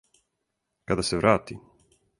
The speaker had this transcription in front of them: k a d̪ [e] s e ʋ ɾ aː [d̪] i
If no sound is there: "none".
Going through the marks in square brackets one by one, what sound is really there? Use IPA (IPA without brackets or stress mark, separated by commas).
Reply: a, t̪